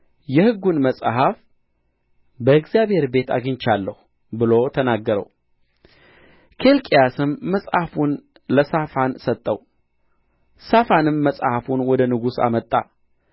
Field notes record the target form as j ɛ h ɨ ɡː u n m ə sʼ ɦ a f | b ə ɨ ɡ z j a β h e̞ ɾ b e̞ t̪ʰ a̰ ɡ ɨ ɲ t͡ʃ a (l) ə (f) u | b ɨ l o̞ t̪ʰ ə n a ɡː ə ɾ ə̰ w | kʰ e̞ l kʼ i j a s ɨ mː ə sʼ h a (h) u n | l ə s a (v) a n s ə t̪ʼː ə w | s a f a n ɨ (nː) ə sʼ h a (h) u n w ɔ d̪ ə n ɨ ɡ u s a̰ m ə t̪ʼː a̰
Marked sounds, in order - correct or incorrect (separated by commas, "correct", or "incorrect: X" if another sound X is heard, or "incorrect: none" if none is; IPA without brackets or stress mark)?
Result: incorrect: lː, incorrect: h, incorrect: f, incorrect: f, incorrect: mː, incorrect: f